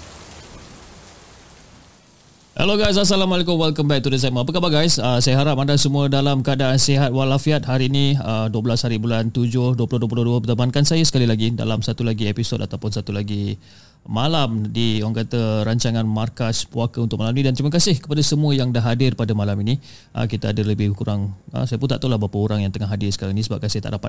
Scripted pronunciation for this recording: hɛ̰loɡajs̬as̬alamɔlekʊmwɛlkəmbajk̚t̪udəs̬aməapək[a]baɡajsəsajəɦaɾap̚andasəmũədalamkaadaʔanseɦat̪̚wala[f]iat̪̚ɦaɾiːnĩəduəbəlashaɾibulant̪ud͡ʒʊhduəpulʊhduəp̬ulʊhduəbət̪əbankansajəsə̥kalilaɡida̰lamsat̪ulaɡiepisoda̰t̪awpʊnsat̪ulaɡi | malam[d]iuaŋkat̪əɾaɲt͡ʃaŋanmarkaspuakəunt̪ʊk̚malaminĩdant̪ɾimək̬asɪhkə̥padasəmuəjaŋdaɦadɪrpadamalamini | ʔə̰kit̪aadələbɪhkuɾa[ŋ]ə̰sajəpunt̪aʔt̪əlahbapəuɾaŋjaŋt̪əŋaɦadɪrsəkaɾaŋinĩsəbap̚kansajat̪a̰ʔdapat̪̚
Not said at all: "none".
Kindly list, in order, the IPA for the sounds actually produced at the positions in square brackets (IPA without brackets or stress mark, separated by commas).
a, f, d, ŋ